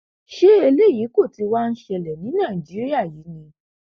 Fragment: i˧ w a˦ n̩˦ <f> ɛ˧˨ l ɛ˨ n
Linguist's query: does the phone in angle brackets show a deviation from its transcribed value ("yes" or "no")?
yes